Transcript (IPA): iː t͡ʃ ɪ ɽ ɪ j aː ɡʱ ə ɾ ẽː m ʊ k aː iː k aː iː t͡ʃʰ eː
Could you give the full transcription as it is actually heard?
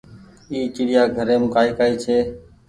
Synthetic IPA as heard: iː t͡ʃ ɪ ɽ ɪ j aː ɡʱ ə ɾ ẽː m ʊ k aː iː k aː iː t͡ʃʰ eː